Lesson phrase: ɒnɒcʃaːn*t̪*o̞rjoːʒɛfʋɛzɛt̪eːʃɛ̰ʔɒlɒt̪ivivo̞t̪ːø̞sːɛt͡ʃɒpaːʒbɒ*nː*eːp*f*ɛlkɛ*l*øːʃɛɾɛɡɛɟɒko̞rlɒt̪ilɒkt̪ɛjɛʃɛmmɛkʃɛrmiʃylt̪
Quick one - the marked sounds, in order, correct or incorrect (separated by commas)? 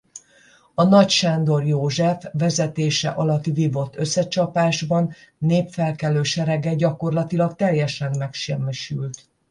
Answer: incorrect, correct, correct, correct